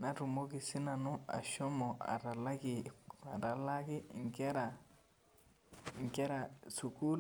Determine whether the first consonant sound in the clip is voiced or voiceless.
voiced